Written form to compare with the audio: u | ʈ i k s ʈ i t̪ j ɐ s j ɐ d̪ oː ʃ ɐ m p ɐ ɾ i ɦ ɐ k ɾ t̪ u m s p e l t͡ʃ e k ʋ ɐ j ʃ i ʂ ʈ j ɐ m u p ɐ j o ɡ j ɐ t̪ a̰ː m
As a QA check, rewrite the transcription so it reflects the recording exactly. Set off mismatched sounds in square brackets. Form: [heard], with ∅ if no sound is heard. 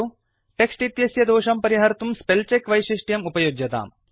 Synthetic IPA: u | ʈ [e] k s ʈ i t̪ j ɐ s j ɐ d̪ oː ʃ ɐ m p ɐ ɾ i ɦ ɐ [∅] ɾ t̪ u m s p e l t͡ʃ e k ʋ ɐ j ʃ i ʂ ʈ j ɐ m u p ɐ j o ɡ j ɐ t̪ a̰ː m